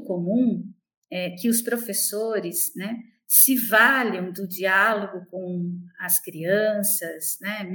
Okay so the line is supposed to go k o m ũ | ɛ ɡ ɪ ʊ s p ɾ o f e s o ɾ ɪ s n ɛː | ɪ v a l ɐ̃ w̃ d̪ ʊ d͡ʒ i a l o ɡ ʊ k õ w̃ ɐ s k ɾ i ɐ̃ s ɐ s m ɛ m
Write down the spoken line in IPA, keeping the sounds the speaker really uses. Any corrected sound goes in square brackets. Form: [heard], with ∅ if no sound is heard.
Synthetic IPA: k o m ũ | ɛ [k] ɪ ʊ s p ɾ o f e s o ɾ ɪ s n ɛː | ɪ v a l ɐ̃ w̃ d̪ ʊ d͡ʒ i a l o ɡ ʊ k õ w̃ ɐ s k ɾ i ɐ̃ s ɐ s [n] ɛ m